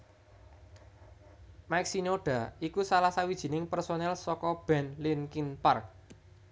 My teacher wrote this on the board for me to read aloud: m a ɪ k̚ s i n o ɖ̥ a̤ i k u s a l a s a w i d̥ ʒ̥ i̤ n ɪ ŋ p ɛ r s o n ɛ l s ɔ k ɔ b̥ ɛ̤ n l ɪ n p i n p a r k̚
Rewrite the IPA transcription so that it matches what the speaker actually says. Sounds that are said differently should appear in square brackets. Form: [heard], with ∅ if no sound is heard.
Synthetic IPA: m a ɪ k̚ s i n o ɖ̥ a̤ i k u s a l a s a w i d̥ ʒ̥ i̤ n ɪ ŋ p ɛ r s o n ɛ l s ɔ k ɔ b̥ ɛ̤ n l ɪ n [k] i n p a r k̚